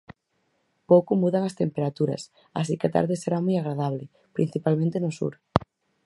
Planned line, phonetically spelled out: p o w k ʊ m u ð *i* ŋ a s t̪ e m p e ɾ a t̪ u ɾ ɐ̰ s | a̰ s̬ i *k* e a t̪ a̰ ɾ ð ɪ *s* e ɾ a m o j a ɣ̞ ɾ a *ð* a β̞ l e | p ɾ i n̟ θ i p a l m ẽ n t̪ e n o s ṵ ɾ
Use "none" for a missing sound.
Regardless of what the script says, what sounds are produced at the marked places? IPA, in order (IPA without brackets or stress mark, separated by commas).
a, k, s, ð